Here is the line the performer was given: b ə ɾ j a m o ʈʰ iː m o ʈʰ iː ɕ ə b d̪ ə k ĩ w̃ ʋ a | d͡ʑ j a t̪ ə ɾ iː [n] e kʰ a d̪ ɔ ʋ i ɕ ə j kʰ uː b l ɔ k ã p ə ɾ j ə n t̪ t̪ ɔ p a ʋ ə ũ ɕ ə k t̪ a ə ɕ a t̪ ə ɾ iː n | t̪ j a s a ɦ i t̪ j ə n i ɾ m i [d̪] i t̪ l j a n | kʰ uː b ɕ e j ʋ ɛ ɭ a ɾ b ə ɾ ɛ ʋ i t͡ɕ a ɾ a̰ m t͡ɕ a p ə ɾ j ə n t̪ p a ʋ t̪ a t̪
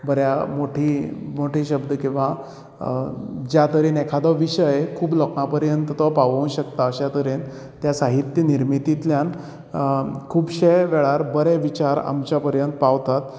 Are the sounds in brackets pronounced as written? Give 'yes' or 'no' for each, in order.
yes, no

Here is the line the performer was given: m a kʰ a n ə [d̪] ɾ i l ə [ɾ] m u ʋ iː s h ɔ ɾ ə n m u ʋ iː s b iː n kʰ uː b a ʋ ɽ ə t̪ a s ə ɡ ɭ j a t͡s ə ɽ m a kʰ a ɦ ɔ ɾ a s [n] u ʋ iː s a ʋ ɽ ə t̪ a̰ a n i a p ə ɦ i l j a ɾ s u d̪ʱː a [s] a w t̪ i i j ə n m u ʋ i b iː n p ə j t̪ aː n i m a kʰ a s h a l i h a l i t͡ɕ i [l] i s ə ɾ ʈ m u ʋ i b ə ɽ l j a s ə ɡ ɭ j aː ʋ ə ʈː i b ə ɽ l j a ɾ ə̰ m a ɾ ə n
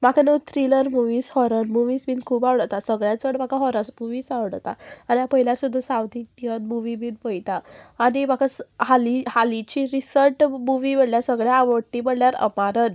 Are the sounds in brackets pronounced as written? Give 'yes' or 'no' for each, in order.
no, yes, no, yes, no

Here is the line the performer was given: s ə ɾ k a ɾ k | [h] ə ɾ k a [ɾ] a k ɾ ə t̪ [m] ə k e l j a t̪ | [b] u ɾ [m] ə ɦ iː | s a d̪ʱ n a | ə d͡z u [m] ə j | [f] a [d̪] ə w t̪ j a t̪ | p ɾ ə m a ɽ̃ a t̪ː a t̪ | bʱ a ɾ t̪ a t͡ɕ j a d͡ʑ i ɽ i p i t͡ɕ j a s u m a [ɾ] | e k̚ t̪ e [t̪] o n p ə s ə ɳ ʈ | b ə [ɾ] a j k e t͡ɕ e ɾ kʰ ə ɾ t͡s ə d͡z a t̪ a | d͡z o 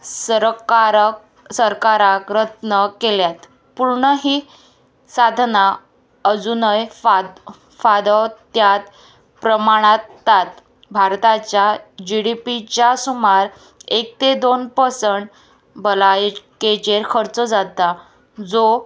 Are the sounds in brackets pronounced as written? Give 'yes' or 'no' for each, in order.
no, yes, no, no, no, no, yes, yes, yes, no, no

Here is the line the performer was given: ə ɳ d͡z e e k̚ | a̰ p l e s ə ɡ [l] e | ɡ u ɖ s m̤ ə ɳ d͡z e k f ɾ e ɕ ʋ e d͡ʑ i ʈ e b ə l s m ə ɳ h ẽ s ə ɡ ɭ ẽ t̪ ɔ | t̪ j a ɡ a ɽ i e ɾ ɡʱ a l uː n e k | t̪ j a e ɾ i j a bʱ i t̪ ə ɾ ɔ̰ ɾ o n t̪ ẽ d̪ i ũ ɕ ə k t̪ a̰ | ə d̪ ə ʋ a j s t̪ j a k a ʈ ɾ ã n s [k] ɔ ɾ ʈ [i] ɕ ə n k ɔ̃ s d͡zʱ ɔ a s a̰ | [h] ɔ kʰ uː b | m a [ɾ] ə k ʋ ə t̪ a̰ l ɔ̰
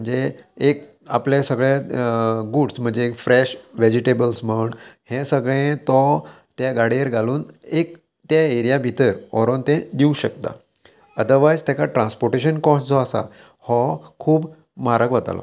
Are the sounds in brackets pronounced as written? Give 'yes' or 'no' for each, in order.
no, no, no, yes, yes

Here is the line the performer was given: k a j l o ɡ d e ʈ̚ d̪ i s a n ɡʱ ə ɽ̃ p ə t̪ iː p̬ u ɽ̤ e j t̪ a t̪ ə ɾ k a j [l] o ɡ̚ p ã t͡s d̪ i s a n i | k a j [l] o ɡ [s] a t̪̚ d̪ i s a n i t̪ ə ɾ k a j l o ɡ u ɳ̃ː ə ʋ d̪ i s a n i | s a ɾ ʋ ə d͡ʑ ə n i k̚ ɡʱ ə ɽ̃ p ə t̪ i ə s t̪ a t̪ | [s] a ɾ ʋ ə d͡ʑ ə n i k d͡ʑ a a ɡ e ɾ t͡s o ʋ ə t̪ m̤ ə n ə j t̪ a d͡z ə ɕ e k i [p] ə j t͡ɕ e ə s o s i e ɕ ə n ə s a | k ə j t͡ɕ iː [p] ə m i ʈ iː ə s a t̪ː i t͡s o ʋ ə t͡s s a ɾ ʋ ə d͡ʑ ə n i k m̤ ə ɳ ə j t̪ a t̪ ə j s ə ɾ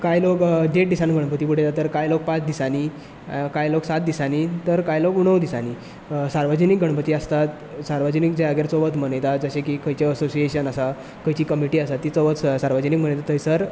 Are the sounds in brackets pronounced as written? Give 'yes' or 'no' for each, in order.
yes, yes, yes, yes, no, no

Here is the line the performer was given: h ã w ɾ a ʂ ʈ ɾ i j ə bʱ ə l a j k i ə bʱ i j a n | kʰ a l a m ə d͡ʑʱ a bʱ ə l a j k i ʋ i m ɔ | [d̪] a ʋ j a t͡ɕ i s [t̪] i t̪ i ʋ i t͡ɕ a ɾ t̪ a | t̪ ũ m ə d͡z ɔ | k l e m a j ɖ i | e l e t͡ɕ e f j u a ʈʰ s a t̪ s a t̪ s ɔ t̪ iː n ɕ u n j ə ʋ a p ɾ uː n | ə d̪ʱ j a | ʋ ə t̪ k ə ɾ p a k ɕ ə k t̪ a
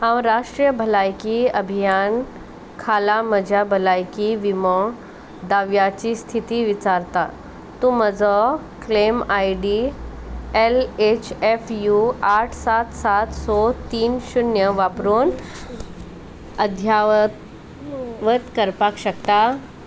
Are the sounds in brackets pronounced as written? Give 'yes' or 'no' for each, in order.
yes, no

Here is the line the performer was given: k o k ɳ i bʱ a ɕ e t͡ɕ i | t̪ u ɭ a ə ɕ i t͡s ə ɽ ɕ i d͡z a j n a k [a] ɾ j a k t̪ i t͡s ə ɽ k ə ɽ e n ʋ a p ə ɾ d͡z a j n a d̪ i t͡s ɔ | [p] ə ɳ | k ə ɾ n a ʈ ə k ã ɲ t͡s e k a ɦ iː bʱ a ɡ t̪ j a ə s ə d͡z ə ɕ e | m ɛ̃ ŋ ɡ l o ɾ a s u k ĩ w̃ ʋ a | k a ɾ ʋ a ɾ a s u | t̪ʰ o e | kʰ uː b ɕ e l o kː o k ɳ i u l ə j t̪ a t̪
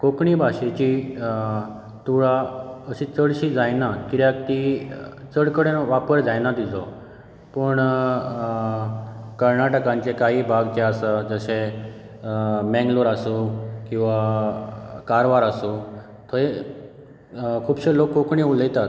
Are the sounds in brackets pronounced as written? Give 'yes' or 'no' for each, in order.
no, yes

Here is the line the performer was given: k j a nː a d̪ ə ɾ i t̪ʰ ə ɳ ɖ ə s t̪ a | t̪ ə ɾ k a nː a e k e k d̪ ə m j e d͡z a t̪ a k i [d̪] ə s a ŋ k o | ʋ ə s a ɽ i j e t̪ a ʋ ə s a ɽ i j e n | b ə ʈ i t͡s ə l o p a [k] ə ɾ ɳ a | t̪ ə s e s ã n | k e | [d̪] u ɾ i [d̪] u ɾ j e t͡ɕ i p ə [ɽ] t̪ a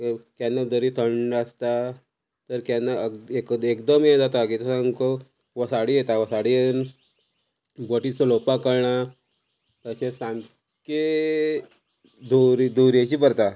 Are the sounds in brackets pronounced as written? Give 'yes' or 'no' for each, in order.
no, yes, yes, yes, no

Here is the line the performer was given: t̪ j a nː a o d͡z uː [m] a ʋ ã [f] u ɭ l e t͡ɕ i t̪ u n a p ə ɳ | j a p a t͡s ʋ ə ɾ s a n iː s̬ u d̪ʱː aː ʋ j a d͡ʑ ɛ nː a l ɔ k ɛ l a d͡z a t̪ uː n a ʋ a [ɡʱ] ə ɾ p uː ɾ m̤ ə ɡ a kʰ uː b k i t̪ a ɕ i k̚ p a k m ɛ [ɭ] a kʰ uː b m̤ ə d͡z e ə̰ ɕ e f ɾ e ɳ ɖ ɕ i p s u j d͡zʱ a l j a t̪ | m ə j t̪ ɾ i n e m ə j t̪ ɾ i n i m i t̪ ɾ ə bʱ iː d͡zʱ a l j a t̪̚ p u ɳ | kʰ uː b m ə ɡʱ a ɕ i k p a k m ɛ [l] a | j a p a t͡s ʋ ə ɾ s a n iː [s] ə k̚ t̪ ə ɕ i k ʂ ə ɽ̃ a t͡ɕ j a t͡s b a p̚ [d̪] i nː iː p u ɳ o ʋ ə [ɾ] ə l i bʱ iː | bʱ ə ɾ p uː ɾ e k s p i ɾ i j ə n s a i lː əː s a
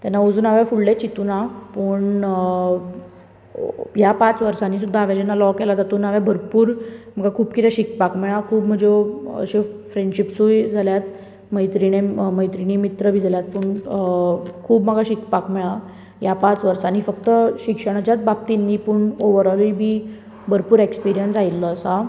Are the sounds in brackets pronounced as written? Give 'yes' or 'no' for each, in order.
no, yes, no, yes, no, no, no, yes

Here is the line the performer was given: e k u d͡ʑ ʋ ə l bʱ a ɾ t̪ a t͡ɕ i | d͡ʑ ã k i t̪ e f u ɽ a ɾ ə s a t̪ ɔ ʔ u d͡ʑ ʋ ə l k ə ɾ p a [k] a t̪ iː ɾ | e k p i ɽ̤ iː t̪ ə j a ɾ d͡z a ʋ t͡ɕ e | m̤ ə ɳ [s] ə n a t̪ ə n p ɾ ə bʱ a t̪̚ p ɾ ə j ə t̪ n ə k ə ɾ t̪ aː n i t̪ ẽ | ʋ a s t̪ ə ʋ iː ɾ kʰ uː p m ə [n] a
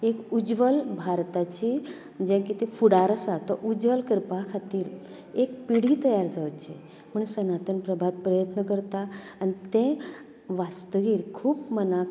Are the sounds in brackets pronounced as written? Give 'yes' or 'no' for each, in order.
no, yes, yes

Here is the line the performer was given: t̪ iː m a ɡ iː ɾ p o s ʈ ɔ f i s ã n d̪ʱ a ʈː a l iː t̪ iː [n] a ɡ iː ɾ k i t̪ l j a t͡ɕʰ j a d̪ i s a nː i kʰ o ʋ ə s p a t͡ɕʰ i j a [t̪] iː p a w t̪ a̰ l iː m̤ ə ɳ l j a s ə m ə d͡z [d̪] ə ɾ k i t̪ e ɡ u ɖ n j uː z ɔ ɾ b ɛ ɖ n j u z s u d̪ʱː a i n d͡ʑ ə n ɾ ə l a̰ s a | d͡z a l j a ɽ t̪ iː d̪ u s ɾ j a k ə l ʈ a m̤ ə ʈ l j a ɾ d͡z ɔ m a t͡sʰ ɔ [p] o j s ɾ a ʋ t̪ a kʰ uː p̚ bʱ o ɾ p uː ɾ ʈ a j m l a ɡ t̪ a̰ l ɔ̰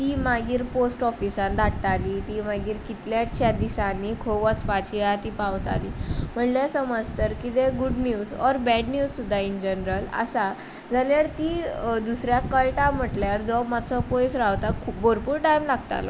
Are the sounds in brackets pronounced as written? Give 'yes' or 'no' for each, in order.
no, yes, no, yes

